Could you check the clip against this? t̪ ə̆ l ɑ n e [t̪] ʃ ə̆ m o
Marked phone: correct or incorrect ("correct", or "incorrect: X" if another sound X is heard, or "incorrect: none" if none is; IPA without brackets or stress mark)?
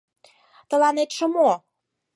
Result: correct